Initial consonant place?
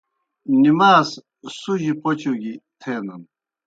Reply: alveolar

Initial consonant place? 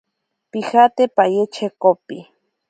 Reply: labial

